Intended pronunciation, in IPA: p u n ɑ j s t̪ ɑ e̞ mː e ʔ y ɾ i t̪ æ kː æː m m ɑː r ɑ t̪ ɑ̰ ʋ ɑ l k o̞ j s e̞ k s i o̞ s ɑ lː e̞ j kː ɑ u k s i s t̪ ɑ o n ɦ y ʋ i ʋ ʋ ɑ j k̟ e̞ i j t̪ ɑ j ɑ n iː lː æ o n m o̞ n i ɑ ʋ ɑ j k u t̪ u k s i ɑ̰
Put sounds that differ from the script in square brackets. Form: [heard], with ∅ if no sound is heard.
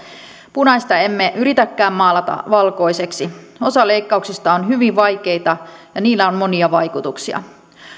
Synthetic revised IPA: p u n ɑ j s t̪ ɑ e̞ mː e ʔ y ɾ i t̪ æ kː æː m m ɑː [l] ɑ t̪ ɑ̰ ʋ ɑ l k o̞ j s e̞ k s i o̞ s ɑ [l] e̞ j kː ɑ u k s i s t̪ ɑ o n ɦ y ʋ i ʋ ʋ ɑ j k̟ e̞ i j t̪ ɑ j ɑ n iː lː æ o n m o̞ n i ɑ ʋ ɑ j k u t̪ u k s i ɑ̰